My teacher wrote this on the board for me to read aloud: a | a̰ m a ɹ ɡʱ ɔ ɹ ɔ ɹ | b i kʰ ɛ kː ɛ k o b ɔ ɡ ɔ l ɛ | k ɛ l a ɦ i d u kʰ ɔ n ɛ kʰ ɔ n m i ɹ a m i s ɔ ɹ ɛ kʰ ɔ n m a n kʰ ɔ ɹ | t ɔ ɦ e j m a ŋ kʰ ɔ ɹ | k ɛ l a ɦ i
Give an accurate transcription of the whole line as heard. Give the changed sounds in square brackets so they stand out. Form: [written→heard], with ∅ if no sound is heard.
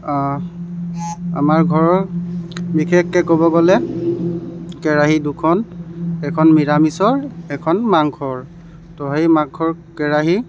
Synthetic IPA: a | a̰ m a ɹ ɡʱ ɔ ɹ ɔ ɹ | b i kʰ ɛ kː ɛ k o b ɔ ɡ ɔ l ɛ | k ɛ [l→ɹ] a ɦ i d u kʰ ɔ n ɛ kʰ ɔ n m i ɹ a m i s ɔ ɹ ɛ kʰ ɔ n m a [n→ŋ] kʰ ɔ ɹ | t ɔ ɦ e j m a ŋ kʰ ɔ ɹ | k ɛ [l→ɹ] a ɦ i